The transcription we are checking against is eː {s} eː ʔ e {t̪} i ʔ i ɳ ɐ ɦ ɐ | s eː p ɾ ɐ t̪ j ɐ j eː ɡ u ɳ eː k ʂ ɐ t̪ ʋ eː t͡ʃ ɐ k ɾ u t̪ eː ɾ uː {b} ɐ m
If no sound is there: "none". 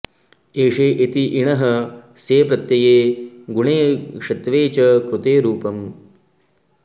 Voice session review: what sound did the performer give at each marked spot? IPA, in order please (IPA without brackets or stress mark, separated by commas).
ʂ, t̪, p